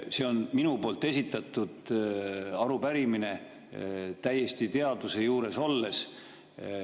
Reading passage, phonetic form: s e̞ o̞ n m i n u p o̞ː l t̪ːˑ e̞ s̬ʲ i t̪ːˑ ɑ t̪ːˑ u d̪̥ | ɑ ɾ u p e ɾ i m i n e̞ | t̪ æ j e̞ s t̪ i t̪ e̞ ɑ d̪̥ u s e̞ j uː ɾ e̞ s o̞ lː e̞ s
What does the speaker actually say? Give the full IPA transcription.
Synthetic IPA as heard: s e̞ o̞ n m i n u p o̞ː l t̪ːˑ e̞ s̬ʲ i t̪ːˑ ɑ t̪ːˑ u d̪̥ | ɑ ɾ u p æ ɾ i m i n e̞ | t̪ æ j e̞ s t̪ i t̪ e̞ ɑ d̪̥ u s e̞ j uː ɾ e̞ s o̞ lː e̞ s